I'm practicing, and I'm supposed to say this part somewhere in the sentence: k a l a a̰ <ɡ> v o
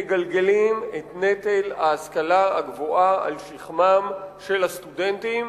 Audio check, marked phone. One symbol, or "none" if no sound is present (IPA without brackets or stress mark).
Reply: ɡ